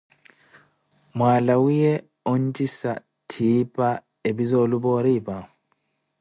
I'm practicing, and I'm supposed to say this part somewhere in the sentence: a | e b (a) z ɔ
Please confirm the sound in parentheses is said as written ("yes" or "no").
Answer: no